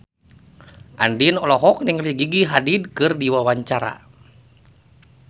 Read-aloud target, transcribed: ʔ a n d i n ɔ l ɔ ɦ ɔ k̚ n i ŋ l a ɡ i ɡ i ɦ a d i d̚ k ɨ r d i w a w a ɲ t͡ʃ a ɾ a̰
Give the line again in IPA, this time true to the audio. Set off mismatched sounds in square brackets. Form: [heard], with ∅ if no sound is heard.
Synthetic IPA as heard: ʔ a n d i n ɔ l ɔ ɦ ɔ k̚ n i ŋ l [i] ɡ i ɡ i ɦ a d i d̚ k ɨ r d i w a w a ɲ t͡ʃ a ɾ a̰